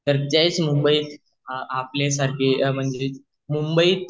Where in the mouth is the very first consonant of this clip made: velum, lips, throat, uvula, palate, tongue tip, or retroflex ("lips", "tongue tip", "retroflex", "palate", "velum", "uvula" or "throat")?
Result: tongue tip